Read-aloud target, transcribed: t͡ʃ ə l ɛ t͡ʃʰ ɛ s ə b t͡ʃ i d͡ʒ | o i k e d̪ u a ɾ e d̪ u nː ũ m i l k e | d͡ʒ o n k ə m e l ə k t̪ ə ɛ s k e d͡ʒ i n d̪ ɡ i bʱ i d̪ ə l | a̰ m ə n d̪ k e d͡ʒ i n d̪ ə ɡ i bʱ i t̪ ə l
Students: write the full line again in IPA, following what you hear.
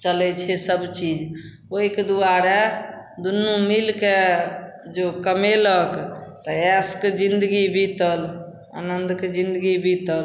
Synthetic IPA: t͡ʃ ə l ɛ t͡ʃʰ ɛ s ə b t͡ʃ i d͡ʒ | o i k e d̪ u a ɾ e d̪ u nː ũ m i l k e | d͡ʒ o k ə m e l ə k t̪ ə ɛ s k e d͡ʒ i n d̪ ɡ i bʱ i t̪ ə l | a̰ n ə n d̪ k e d͡ʒ i n d̪ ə ɡ i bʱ i t̪ ə l